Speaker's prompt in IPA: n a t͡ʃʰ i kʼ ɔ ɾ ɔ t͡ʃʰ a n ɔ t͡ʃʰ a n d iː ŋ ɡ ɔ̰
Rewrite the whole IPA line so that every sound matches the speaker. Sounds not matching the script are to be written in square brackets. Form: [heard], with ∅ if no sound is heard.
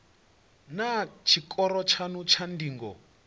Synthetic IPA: n a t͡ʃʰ i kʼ ɔ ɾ ɔ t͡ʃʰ a n [u] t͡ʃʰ a n d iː ŋ ɡ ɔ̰